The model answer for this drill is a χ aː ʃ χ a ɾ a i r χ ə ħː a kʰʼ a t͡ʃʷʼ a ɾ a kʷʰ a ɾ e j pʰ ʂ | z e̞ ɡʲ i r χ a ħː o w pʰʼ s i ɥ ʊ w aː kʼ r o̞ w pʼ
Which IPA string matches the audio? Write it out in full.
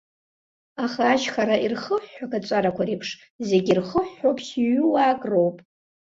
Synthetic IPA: a χ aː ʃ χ a ɾ a i r χ ə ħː a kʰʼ a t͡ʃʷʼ a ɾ a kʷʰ a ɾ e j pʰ ʂ | z e̞ ɡʲ i r χ ə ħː o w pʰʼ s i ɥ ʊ w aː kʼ r o̞ w pʼ